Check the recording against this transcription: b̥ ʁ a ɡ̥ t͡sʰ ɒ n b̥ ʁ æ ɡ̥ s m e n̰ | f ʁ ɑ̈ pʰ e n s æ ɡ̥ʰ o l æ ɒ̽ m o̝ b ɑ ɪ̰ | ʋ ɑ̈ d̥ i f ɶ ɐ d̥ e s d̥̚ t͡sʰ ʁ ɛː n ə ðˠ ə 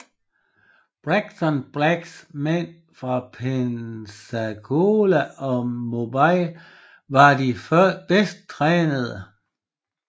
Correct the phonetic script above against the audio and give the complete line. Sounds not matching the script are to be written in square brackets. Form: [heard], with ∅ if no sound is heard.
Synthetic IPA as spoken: b̥ ʁ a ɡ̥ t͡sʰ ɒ n b̥ ʁ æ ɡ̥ s m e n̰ | f ʁ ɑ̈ pʰ e n s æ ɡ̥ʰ o l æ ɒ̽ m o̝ b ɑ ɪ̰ | ʋ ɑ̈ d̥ i f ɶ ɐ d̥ e s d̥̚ t͡sʰ ʁ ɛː n ə ðˠ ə